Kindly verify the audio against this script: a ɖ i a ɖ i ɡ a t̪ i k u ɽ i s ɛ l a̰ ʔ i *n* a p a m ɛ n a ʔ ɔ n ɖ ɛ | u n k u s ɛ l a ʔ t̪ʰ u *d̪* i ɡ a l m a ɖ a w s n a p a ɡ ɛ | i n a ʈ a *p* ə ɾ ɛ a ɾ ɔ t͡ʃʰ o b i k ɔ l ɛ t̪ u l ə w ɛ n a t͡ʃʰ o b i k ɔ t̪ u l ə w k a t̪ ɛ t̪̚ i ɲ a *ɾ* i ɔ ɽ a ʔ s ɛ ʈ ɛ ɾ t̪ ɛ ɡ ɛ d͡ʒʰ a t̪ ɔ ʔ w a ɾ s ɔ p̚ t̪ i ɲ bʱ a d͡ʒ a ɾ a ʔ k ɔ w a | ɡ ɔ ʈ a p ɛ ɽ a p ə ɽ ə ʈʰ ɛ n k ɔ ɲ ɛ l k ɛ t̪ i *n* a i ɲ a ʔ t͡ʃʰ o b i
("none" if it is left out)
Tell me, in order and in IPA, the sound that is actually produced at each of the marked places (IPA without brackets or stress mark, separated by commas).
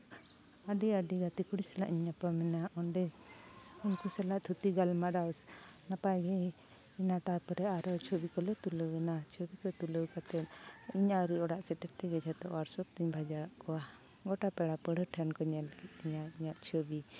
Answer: ɲ, t̪, p, ɾ, ɲ